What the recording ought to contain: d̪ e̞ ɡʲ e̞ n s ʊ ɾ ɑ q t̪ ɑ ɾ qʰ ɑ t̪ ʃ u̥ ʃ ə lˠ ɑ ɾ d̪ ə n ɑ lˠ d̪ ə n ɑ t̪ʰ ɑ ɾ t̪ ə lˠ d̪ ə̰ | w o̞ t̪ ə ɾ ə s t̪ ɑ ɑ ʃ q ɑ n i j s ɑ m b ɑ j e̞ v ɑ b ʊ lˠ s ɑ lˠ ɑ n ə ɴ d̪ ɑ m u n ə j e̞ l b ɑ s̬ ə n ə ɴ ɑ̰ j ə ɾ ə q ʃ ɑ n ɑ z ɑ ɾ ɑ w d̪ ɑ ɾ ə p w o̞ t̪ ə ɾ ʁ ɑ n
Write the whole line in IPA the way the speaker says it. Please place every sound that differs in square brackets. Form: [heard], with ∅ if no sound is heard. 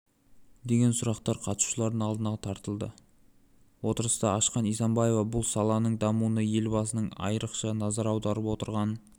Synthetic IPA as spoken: d̪ e̞ ɡʲ e̞ n s ʊ ɾ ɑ q t̪ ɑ ɾ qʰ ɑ t̪ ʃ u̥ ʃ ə lˠ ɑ ɾ d̪ ə n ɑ lˠ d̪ ə n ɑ t̪ʰ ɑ ɾ t̪ ə lˠ d̪ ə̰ | w o̞ t̪ ə ɾ ə s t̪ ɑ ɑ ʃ q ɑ n i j s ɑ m b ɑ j e̞ v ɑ b ʊ lˠ s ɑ lˠ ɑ n ə ɴ d̪ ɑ m u n ə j e̞ l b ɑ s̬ ə n ə ɴ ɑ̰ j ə ɾ ə q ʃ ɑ n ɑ z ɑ ɾ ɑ w d̪ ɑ ɾ ə p w o̞ t̪ ə ɾ ʁ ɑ n